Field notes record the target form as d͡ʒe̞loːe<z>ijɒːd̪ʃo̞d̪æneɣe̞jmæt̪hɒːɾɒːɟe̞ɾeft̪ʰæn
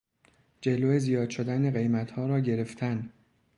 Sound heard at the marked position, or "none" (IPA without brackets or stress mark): z